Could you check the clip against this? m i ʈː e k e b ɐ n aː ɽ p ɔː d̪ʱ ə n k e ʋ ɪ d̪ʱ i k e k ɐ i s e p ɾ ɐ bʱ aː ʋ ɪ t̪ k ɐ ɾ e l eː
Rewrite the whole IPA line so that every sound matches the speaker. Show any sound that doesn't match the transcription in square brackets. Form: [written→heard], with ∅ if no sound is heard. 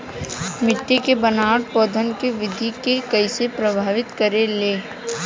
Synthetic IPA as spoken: m [i→ɪ] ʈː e k e b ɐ n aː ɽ p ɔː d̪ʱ ə n k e ʋ ɪ d̪ʱ i k e k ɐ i s e p ɾ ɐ bʱ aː ʋ ɪ t̪ k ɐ ɾ e l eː